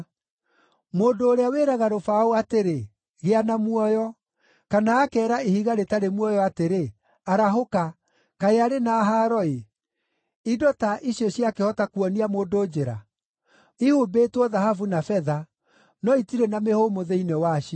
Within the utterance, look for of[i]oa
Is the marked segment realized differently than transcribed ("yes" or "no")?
yes